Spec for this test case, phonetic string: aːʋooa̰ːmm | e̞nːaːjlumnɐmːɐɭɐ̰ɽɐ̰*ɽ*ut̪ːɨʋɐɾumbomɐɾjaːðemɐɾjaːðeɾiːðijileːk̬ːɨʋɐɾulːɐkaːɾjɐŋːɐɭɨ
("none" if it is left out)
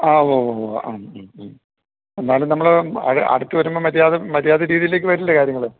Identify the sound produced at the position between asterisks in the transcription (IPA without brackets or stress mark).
ɽ